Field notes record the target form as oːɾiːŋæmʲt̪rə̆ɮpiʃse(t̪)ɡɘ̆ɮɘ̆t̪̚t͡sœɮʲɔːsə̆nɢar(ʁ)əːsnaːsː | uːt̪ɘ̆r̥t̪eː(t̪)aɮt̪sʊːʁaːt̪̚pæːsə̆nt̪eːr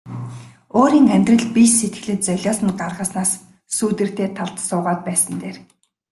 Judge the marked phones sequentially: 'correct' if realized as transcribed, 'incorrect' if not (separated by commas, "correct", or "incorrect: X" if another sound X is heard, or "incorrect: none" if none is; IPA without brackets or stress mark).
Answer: correct, correct, incorrect: t̪ʰ